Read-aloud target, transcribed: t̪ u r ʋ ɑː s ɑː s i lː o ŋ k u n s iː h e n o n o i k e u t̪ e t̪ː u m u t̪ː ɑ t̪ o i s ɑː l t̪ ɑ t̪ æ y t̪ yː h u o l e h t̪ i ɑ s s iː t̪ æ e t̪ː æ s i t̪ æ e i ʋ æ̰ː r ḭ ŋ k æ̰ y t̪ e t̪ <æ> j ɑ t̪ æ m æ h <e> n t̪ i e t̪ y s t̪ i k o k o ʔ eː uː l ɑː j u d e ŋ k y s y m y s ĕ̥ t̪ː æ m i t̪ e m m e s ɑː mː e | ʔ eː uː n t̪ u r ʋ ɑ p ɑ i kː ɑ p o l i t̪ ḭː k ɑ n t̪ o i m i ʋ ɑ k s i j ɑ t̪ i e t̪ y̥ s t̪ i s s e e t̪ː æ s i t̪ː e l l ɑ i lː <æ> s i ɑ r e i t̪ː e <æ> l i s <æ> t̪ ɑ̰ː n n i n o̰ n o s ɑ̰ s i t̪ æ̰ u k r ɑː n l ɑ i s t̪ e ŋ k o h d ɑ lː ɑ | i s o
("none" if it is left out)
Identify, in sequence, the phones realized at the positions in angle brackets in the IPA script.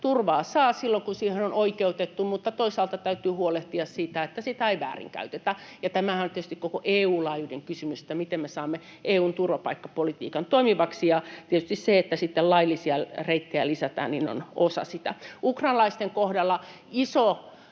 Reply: æ, æ, i, æ, æ

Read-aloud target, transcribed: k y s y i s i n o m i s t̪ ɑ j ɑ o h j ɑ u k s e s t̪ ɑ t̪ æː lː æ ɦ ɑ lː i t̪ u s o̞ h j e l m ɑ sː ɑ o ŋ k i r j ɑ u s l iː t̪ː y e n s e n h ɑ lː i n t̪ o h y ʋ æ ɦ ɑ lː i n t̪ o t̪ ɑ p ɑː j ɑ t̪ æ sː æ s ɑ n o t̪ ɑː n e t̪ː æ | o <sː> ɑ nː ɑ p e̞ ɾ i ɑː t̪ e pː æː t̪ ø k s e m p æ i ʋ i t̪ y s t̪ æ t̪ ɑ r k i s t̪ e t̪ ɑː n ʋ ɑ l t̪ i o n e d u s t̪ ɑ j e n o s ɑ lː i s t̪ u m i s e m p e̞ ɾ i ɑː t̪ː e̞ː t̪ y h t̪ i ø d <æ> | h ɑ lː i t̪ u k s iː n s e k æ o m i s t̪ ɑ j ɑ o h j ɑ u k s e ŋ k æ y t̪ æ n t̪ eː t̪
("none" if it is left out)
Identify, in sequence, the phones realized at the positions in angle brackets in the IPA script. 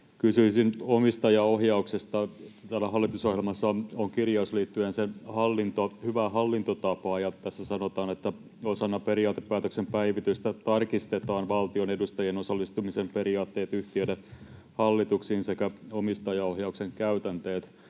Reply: s, e

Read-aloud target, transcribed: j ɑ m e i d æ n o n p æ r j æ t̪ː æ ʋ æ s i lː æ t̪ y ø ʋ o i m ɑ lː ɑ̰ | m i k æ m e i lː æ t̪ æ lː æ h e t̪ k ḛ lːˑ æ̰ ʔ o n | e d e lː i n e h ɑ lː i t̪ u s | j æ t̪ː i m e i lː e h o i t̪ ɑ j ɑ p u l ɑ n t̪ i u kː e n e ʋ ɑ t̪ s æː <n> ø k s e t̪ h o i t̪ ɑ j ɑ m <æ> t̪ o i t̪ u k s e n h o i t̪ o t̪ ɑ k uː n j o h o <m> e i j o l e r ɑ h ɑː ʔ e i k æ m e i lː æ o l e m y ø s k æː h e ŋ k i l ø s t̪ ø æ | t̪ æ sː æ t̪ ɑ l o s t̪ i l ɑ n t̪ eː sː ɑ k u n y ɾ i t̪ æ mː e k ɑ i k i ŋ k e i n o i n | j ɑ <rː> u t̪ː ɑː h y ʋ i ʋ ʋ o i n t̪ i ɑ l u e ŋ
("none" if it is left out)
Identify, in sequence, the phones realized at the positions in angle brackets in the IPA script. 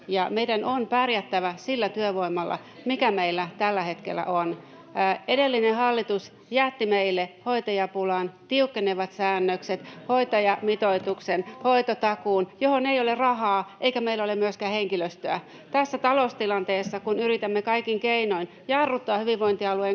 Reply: nː, i, n, rː

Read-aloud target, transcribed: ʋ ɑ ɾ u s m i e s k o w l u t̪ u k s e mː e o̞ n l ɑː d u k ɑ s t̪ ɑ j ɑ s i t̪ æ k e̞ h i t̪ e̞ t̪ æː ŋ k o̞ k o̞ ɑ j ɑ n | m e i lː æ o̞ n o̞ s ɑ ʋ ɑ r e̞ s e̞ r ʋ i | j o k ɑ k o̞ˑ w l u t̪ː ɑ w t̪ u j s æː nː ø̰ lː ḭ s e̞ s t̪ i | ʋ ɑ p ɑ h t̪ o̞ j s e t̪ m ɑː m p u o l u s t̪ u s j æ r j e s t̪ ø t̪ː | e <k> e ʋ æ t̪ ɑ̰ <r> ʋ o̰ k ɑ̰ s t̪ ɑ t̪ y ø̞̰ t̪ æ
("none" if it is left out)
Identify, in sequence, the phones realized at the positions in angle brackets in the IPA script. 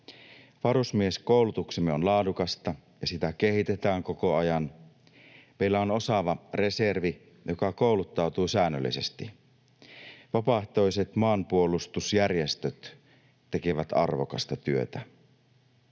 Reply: k, r

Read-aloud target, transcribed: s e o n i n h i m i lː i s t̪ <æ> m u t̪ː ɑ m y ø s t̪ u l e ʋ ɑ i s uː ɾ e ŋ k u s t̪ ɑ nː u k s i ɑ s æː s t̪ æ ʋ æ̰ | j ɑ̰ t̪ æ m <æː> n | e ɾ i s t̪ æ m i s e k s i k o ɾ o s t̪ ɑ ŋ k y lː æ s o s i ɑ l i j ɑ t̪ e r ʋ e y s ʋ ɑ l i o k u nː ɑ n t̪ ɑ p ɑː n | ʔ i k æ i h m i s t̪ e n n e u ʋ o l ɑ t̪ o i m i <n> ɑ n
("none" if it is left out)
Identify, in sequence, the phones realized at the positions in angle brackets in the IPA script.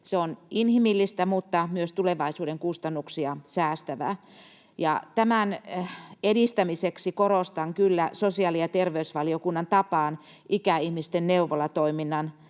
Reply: æ, æ, nː

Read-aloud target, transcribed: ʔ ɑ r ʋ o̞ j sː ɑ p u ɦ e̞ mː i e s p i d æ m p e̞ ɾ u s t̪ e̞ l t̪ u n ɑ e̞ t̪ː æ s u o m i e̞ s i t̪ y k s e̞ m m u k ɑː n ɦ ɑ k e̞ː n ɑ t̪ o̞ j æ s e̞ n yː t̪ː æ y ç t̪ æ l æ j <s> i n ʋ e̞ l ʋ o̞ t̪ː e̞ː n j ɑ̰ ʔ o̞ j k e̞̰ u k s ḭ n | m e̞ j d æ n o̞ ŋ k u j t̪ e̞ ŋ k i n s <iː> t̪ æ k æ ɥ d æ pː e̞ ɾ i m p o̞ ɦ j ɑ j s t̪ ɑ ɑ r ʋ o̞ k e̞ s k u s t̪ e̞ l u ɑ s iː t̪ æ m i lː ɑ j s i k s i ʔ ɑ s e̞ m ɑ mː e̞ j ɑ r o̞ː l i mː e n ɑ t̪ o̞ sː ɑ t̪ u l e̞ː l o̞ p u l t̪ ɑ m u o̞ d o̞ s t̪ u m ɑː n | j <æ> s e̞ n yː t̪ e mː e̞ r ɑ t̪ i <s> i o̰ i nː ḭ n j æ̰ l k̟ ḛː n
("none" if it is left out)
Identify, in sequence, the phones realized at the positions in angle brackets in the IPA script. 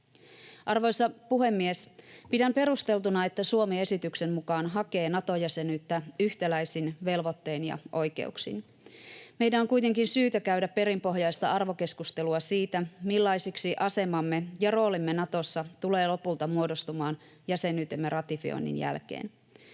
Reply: s, yː, æ, f

